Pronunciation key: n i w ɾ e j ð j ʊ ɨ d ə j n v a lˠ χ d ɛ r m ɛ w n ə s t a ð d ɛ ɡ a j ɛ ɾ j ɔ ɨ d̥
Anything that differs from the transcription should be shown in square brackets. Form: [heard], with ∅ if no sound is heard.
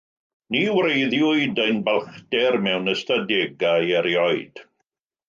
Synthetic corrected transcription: n i w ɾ e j ð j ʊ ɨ d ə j n [b] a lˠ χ d ɛ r m ɛ w n ə s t a [∅] d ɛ ɡ a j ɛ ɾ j ɔ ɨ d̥

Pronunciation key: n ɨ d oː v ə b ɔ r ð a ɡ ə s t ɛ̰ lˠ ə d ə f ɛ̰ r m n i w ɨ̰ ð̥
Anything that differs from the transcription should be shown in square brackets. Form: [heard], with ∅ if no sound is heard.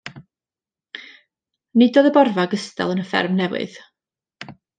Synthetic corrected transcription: n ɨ d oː [ð] ə b ɔ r [v] a ɡ ə s t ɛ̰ lˠ ə [n] ə f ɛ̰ r m n [ɛ] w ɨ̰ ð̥

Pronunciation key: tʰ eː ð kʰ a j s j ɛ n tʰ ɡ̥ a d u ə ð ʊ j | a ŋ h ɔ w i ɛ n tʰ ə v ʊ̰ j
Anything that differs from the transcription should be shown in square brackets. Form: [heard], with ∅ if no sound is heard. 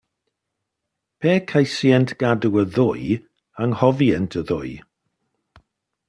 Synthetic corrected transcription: [pʰ] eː [∅] kʰ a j s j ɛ n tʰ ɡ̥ a d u ə ð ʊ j | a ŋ h ɔ [v] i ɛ n tʰ ə [ð] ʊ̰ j

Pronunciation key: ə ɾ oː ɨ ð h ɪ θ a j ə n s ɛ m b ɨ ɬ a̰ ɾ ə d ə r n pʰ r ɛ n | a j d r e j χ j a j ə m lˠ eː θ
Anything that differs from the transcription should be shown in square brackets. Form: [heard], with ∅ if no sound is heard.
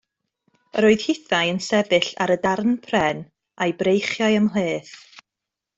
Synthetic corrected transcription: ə ɾ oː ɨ ð h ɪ θ a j ə n s ɛ [∅] b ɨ ɬ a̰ ɾ ə d [a] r n pʰ r ɛ n | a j [b] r e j χ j a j ə m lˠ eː θ

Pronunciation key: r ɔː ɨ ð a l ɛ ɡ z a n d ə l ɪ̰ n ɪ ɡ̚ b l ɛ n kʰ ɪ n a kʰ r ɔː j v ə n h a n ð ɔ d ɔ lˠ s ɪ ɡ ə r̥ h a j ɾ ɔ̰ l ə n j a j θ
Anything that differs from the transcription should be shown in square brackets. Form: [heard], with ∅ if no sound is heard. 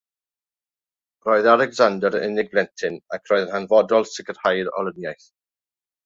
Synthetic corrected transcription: r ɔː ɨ ð a l ɛ ɡ z a n d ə [ɾ] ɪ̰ n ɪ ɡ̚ b l ɛ n [tʰ] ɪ n a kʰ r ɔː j [ð] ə n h a n [v] ɔ d ɔ lˠ s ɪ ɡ ə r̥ h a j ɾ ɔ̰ l ə n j a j θ

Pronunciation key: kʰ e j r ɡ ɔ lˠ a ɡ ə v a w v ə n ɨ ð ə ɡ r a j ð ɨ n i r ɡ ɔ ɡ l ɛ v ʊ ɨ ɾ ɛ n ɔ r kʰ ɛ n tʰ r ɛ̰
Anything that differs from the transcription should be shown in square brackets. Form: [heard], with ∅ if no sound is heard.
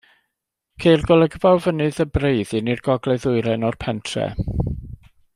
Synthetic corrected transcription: kʰ e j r ɡ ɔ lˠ [ə] ɡ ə v a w v ə n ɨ ð ə [b] r [e] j ð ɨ n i r ɡ ɔ ɡ l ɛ [ð] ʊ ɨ ɾ ɛ n ɔ r [pʰ] ɛ n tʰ r ɛ̰

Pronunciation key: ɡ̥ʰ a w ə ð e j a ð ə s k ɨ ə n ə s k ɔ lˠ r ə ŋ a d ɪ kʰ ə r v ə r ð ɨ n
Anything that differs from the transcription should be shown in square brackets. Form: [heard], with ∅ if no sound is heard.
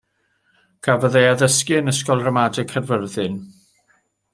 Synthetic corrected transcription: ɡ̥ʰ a [v] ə ð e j a ð ə s k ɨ ə n ə s k ɔ lˠ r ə [m] a d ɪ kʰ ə r v ə r ð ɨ n

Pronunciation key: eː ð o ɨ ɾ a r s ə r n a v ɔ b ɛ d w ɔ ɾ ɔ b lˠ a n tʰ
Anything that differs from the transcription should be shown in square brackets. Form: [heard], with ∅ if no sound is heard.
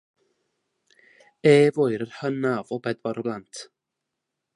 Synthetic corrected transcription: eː [v] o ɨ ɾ [ə] r [h] ə [∅] n a v ɔ b ɛ d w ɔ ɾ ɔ b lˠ a n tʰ

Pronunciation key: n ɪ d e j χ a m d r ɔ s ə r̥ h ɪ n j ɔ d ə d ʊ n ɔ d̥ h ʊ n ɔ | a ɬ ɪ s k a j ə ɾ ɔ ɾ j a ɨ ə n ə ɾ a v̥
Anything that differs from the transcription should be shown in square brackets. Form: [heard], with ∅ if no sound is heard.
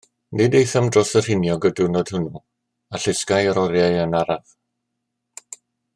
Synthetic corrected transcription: n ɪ d e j [θ] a m d r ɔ s ə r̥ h ɪ n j ɔ [ɡ] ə d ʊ n ɔ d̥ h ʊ n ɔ | a ɬ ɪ s k a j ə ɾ ɔ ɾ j a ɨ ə n [a] ɾ a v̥

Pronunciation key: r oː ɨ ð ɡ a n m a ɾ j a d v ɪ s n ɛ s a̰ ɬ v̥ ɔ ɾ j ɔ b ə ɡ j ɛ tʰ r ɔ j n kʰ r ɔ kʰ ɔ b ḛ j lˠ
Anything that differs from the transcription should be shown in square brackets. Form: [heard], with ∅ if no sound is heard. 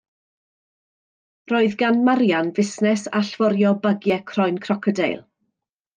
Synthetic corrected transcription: r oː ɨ ð ɡ a n m a ɾ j a [n] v ɪ s n ɛ s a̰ ɬ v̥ ɔ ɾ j ɔ b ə ɡ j ɛ [kʰ] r ɔ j n kʰ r ɔ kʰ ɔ [d] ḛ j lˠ

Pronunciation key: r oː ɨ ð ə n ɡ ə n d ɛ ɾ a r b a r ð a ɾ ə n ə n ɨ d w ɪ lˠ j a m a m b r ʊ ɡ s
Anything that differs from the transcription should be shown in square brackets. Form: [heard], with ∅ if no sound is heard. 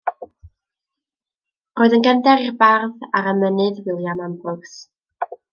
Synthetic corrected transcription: r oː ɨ ð ə n ɡ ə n d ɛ ɾ [i] r b a r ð a ɾ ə [m] ə n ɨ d w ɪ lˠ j a m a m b r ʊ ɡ s

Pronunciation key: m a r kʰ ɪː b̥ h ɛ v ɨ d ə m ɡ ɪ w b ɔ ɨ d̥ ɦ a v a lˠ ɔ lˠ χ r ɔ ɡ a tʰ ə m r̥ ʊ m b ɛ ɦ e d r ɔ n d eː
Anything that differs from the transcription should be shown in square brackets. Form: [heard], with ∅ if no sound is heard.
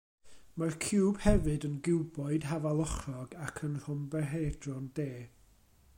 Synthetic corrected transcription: m a r kʰ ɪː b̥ h ɛ v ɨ d ə [n] ɡ ɪ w b ɔ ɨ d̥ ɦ a v a lˠ ɔ [∅] χ r ɔ ɡ a [kʰ] ə [n] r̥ ʊ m b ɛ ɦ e d r ɔ n d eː

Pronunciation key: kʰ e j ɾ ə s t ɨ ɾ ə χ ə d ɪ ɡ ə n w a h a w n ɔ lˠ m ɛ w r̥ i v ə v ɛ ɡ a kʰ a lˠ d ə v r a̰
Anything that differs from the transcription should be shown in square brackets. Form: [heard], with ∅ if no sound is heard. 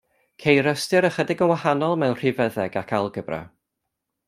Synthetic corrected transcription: kʰ e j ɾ ə s t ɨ ɾ ə χ ə d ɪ ɡ ə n w a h a [∅] n ɔ lˠ m ɛ w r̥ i v ə [ð] ɛ ɡ a kʰ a lˠ [ɡ] ə [b] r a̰

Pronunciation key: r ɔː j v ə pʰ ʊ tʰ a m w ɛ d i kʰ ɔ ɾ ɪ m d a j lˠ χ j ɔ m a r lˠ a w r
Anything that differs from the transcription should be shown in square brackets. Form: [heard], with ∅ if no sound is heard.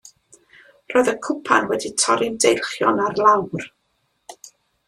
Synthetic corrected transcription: r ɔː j [ð] ə [kʰ] ʊ [pʰ] a [n] w ɛ d i [tʰ] ɔ ɾ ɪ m d [e] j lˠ χ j ɔ [n] a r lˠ a w r

